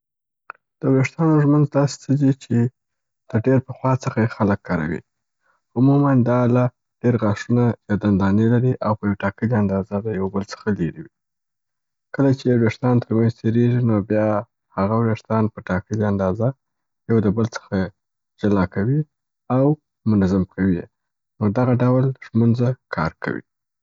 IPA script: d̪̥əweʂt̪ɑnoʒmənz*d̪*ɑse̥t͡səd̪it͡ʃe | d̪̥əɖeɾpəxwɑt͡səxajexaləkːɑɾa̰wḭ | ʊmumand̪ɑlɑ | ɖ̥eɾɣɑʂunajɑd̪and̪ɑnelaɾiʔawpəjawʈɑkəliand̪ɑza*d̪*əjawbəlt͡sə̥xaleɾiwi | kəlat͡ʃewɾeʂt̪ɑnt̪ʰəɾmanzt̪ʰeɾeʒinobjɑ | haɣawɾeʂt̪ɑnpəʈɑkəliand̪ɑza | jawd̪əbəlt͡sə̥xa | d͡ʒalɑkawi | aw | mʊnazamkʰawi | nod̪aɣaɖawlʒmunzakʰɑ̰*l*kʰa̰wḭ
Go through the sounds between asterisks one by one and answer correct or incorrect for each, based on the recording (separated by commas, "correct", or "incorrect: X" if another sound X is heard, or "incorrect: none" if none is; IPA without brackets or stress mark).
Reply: correct, correct, incorrect: ɾ